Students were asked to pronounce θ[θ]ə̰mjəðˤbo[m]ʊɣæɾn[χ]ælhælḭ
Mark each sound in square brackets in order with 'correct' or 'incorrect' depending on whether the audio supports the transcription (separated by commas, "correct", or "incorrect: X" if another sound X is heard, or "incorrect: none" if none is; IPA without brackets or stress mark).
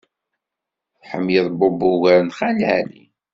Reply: incorrect: ħ, incorrect: b, correct